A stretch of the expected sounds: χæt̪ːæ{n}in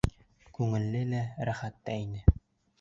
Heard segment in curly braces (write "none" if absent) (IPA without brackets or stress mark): none